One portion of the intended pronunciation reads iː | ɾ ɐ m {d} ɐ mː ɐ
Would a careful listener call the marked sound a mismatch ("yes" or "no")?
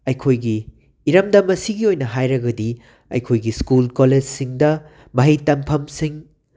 no